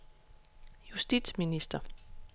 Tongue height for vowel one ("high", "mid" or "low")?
high